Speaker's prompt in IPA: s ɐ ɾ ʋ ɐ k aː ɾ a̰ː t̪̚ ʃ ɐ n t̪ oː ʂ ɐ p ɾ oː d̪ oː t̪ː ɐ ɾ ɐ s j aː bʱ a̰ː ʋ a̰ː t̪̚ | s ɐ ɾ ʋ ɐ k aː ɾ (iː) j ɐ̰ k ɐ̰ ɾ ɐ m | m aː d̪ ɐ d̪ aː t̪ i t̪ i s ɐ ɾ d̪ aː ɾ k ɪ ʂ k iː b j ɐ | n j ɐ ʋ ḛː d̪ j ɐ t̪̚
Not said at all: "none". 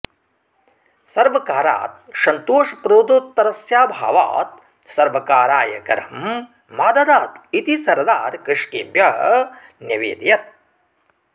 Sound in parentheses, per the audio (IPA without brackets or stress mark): aː